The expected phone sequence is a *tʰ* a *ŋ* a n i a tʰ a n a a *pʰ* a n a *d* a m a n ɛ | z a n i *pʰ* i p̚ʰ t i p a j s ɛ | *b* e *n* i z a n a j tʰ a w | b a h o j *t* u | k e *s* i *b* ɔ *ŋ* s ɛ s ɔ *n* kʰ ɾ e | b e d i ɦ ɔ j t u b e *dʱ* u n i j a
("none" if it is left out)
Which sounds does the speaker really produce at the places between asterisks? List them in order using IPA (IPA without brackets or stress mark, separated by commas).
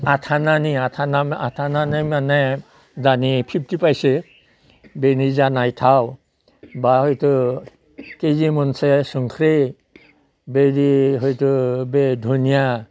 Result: tʰ, n, tʰ, n, pʰ, b, n, t, z, m, n, ŋ, dʱ